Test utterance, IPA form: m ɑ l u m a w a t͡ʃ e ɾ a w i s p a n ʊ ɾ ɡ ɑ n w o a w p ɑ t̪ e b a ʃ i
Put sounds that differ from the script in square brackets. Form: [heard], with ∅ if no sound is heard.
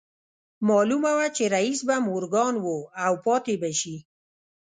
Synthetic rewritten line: m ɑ l u m a w a t͡ʃ e ɾ a [∅] i s [b] a [m] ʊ ɾ ɡ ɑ n w o a w p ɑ t̪ e b a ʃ i